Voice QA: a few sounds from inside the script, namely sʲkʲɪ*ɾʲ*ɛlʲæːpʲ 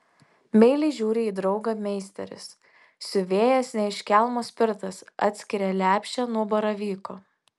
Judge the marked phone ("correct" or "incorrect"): correct